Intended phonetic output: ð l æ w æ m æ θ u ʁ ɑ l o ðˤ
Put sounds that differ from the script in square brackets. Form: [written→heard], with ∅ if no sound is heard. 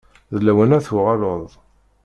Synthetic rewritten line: ð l æ w æ [m→n] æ θ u ʁ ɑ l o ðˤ